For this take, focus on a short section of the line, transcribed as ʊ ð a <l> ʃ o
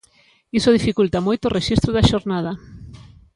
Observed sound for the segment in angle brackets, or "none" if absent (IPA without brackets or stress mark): none